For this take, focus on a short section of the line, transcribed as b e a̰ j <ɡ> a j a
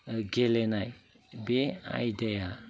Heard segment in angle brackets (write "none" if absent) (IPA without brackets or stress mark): d